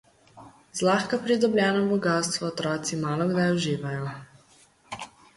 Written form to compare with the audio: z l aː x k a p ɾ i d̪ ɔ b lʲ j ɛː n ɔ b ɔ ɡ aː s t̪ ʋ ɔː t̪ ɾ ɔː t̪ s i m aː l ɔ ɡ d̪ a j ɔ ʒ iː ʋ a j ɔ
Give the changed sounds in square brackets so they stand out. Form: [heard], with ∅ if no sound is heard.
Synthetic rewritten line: z l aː x k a p ɾ i d̪ ɔ b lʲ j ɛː n ɔ b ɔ ɡ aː s t̪ ʋ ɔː t̪ ɾ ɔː t̪ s i m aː l ɔ ɡ d̪ a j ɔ ʒ iː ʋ a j ɔ